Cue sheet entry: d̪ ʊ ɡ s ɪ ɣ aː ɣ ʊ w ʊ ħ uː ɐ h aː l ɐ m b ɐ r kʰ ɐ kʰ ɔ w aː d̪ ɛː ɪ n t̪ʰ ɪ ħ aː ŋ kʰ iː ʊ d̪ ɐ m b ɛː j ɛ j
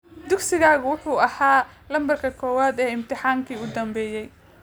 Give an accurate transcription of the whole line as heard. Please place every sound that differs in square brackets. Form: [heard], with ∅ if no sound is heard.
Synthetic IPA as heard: d̪ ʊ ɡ s ɪ ɣ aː ɣ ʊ w ʊ ħ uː ɐ h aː l ɐ m b ɐ r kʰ ɐ kʰ [ɔː] w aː d̪ ɛː ɪ [m] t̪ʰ ɪ ħ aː ŋ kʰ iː ʊ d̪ ɐ m b ɛː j ɛ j